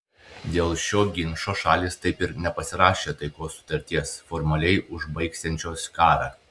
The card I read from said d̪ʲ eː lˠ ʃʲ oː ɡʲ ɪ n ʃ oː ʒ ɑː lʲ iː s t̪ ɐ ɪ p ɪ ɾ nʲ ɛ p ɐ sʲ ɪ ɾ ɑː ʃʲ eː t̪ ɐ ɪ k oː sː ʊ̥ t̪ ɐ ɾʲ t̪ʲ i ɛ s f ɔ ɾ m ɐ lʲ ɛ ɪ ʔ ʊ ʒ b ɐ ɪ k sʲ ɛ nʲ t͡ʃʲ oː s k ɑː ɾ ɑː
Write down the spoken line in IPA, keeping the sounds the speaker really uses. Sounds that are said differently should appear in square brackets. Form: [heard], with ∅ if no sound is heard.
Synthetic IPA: d̪ʲ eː lˠ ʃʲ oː ɡʲ ɪ n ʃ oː [ʃ] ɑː lʲ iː s t̪ ɐ ɪ p ɪ ɾ nʲ ɛ p ɐ sʲ ɪ ɾ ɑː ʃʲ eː t̪ ɐ ɪ k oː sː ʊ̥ t̪ ɐ ɾʲ t̪ʲ i ɛ s f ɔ ɾ m ɐ lʲ ɛ ɪ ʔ ʊ ʒ b ɐ ɪ k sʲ ɛ nʲ t͡ʃʲ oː s k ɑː ɾ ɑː